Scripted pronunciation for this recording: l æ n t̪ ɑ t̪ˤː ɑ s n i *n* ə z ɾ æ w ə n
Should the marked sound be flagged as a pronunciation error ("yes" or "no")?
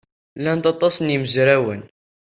yes